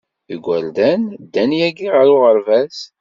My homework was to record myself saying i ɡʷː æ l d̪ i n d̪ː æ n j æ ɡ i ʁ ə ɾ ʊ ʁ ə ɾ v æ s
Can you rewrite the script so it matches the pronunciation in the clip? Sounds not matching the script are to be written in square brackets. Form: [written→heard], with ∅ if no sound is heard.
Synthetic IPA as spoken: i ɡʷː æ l d̪ [i→æ] n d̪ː æ n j æ ɡ i ʁ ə ɾ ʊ ʁ ə ɾ v æ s